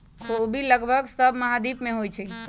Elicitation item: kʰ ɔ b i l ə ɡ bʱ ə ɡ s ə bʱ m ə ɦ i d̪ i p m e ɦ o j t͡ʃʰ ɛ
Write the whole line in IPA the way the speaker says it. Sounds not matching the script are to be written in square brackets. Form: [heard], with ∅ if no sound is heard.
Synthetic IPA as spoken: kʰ [o] b i l ə ɡ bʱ ə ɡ s ə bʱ m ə ɦ [a] d̪ i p m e ɦ o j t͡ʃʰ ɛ